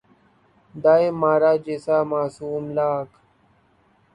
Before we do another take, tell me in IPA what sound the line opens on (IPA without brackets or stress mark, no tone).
d̪